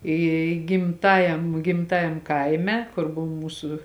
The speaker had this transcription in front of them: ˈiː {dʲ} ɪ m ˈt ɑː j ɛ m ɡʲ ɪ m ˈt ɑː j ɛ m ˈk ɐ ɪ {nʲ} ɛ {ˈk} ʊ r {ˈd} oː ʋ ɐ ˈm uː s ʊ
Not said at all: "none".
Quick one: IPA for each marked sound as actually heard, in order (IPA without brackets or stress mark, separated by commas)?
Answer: ɡʲ, mʲ, k, b